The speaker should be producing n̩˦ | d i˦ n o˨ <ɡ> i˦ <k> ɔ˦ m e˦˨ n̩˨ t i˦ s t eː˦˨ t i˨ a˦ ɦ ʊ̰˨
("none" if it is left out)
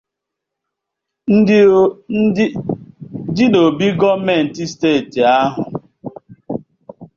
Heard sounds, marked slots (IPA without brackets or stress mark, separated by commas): b, ɡ